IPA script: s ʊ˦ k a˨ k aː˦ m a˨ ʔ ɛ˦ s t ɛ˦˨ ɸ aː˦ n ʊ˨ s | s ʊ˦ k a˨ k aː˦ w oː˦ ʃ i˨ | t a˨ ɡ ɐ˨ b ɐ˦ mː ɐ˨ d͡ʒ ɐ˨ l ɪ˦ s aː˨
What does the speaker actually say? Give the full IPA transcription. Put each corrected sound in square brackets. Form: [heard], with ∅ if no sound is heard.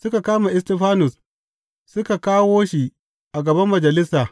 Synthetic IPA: s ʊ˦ k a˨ k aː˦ m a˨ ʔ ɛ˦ s t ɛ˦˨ ɸ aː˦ n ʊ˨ s | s ʊ˦ k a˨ k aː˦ w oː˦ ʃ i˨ | [ʔ] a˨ ɡ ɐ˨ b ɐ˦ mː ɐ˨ d͡ʒ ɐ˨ l ɪ˦ s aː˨